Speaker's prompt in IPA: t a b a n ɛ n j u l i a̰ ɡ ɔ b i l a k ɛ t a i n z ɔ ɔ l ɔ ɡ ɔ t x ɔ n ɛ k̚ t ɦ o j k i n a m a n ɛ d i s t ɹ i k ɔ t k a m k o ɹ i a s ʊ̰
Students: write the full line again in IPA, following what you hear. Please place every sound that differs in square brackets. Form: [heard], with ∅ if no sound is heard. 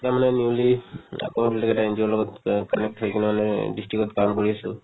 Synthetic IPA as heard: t a [m] a n ɛ n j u l i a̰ [k] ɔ b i l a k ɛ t a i n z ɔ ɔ l ɔ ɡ ɔ t [k] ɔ n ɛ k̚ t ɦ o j k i n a m a n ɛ d i s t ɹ i k ɔ t k a m k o ɹ i a s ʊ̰